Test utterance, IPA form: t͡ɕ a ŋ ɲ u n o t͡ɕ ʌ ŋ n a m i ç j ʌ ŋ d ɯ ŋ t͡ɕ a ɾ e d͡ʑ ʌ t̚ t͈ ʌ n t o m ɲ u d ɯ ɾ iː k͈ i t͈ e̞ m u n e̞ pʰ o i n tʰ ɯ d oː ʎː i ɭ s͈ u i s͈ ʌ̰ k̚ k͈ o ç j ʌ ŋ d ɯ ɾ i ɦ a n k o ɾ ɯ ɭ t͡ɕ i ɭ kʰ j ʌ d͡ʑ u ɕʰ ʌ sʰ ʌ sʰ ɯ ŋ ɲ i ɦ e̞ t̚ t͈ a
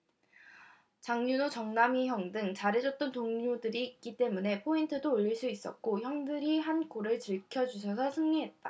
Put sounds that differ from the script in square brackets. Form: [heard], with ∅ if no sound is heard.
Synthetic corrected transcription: t͡ɕ a ŋ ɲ u n o t͡ɕ ʌ ŋ n a m i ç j ʌ ŋ d ɯ ŋ t͡ɕ a ɾ e d͡ʑ ʌ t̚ t͈ ʌ n t o [ŋ] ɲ u d ɯ ɾ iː k͈ i t͈ e̞ m u n e̞ pʰ o i n tʰ ɯ d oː ʎː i ɭ s͈ u i s͈ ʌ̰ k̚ k͈ o ç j ʌ ŋ d ɯ ɾ i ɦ a n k o ɾ ɯ ɭ t͡ɕ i ɭ kʰ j ʌ d͡ʑ u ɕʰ ʌ sʰ ʌ sʰ ɯ ŋ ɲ i ɦ e̞ t̚ t͈ a